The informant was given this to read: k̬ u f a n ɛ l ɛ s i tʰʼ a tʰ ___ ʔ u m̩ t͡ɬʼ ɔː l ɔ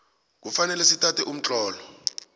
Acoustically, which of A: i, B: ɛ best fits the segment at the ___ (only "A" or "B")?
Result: B